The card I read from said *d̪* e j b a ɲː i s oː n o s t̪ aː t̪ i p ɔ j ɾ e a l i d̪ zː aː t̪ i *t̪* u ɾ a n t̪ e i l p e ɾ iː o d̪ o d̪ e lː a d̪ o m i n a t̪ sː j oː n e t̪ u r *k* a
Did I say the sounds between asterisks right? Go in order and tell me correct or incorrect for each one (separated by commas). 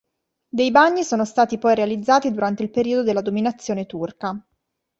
correct, incorrect, correct